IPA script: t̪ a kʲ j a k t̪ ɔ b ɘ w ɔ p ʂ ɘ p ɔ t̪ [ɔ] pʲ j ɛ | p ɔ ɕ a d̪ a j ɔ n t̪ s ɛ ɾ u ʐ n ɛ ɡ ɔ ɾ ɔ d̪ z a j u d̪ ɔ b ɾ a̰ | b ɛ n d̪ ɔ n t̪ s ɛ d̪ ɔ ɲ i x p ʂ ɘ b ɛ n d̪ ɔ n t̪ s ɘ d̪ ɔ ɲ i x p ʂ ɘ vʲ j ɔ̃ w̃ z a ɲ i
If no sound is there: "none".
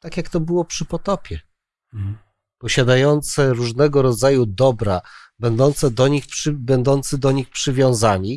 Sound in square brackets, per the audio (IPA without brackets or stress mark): ɔ